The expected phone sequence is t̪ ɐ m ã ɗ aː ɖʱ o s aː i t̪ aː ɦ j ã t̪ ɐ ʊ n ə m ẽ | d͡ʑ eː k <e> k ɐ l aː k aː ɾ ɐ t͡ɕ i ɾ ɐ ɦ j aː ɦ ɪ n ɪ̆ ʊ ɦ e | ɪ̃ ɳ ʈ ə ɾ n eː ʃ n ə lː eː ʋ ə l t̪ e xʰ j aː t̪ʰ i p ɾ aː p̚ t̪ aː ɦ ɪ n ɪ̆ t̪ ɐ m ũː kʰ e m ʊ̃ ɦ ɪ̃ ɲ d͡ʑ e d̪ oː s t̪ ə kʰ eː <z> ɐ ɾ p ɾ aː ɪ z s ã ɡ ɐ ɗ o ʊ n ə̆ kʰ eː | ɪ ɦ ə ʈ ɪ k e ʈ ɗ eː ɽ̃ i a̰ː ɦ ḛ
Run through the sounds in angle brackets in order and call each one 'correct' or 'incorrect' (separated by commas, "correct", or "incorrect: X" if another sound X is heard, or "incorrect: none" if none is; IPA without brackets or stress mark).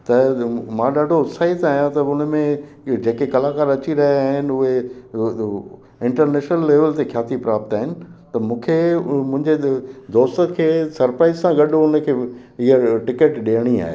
correct, incorrect: s